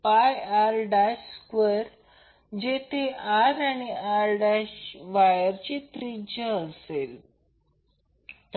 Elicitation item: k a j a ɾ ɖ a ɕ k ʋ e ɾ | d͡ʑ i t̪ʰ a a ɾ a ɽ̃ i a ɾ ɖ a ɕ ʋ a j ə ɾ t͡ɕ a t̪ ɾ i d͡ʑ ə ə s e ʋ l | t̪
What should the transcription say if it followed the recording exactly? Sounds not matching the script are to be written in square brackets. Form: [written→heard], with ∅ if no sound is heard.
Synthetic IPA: [k→p] a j a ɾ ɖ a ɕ k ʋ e ɾ | d͡ʑ [i→e] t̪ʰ [a→e] a ɾ a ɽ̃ i a ɾ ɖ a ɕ ʋ a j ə ɾ t͡ɕ [a→i] t̪ ɾ i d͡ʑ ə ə s e [ʋ→∅] l | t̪

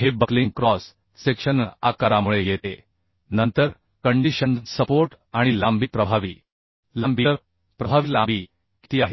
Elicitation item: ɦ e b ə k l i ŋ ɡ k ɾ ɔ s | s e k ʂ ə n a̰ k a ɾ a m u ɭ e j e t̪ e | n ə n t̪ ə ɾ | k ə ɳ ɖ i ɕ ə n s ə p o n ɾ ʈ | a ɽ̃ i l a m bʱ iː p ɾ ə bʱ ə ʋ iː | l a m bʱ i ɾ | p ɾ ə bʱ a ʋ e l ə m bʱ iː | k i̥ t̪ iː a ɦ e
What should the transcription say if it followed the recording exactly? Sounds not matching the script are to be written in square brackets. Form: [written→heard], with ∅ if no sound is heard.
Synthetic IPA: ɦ e b ə k l i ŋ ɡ k ɾ ɔ s | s e k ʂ ə n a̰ k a ɾ a m u ɭ e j e t̪ e | n ə n t̪ ə ɾ | k ə ɳ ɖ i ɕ ə n s ə p o [n→∅] ɾ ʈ | a ɽ̃ i l a m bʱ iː p ɾ ə bʱ [ə→a] ʋ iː | l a m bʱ i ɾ | p ɾ ə bʱ a ʋ [e→i] l [ə→a] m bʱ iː | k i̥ t̪ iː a ɦ e

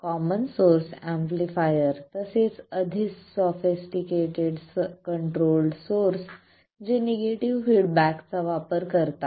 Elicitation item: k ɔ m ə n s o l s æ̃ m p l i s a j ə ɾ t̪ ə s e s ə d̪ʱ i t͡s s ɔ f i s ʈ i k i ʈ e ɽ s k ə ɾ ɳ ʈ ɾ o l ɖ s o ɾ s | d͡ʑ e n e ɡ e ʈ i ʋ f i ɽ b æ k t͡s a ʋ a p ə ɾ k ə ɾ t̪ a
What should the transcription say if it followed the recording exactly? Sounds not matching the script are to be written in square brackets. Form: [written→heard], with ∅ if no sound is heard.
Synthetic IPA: k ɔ m ə n s o [l→ɾ] s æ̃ m p l i [s→f] a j ə ɾ t̪ ə s e [s→t͡s] ə d̪ʱ i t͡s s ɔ f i s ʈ i k [i→e] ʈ e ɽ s k ə [ɾ→∅] ɳ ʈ ɾ o l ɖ s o ɾ s | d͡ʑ e n e ɡ e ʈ i ʋ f i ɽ b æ k t͡s a ʋ a p ə ɾ k ə ɾ t̪ a

